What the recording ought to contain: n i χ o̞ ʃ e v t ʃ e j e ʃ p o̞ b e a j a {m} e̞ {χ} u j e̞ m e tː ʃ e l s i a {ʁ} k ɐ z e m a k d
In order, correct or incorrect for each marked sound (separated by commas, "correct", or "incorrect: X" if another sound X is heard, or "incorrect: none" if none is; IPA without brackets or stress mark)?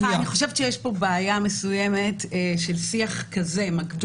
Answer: correct, incorrect: s, incorrect: χ